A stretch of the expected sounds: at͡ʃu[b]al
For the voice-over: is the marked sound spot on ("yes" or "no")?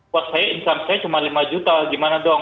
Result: no